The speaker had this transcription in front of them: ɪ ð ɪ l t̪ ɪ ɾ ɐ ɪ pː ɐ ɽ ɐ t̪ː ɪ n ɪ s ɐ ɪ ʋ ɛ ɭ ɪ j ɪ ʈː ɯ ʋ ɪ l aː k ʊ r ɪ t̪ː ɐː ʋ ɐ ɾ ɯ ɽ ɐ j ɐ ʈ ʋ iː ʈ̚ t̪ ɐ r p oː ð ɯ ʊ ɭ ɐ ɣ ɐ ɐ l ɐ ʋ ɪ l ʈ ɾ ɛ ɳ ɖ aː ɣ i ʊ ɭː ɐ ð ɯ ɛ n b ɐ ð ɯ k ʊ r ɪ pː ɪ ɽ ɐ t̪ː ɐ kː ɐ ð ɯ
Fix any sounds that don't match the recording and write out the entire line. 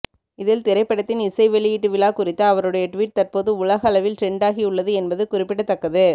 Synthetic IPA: ɪ ð ɪ l t̪ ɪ ɾ ɐ ɪ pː ɐ ɽ ɐ t̪ː ɪ n ɪ s ɐ ɪ ʋ ɛ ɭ ɪ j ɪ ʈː ɯ ʋ ɪ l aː k ʊ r ɪ t̪ː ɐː ʋ ɐ ɾ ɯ ɽ ɐ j ɐ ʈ ʋ iː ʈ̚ t̪ ɐ r p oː ð ɯ ʊ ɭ ɐ ɣ ɐ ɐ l ɐ ʋ ɪ l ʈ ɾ ɛ ɳ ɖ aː ɣ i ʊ ɭː ɐ ð ɯ ɛ n b ɐ ð ɯ k ʊ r ɪ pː ɪ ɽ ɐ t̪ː ɐ kː ɐ ð ɯ